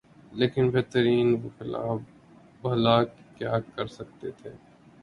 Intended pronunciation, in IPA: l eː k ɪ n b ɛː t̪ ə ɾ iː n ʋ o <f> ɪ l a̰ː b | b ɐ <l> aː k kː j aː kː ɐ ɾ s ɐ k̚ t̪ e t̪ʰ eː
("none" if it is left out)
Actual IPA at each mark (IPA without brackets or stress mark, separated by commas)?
x, l